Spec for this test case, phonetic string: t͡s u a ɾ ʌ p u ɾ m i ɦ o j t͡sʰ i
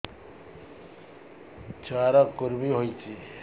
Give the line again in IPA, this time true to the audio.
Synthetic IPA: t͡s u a ɾ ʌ k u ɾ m i ɦ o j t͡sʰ i